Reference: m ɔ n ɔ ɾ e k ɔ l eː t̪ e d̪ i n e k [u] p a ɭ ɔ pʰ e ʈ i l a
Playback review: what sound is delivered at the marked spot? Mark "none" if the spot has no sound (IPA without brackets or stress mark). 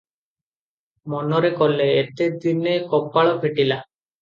ɔ